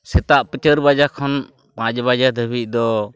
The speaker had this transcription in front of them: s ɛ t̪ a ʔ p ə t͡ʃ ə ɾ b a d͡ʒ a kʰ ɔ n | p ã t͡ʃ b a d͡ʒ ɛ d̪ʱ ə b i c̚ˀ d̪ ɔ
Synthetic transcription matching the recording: s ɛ t̪ a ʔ p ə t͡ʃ ə ɾ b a d͡ʒ a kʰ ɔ n | p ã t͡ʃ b a d͡ʒ a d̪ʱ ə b i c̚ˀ d̪ ɔ